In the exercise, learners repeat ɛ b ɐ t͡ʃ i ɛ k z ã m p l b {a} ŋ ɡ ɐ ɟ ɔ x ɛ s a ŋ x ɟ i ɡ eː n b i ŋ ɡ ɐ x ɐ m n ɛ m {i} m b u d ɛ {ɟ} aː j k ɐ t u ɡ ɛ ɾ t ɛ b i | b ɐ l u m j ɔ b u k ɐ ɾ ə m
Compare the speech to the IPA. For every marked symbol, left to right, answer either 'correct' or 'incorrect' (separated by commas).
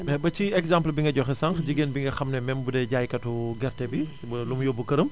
incorrect, incorrect, correct